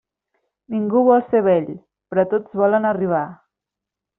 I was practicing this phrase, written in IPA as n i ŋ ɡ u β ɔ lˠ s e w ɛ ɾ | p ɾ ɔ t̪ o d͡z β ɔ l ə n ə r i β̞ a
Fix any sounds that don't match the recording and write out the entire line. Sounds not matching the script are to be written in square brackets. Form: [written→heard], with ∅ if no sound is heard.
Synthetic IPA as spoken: n i ŋ ɡ u β ɔ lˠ s e [w→β] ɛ [ɾ→ʎ] | p ɾ ɔ t̪ o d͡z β ɔ l ə n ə r i β̞ a